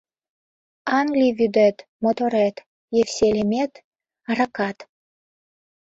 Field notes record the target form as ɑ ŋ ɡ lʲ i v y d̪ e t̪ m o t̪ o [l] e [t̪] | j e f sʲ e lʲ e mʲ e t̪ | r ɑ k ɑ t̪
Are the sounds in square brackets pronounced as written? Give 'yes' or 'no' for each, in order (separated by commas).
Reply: no, yes